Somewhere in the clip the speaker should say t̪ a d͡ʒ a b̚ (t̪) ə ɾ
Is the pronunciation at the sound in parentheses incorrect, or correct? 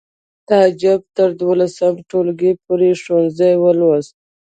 correct